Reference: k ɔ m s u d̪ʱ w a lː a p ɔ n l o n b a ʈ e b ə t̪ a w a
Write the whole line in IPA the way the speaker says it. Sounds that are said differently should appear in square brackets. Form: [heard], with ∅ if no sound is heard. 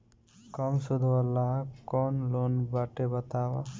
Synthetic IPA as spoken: k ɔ m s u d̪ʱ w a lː a [k] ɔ n l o n b a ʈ e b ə t̪ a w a